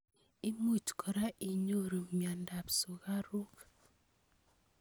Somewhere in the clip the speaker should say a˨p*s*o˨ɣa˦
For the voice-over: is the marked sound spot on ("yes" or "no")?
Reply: yes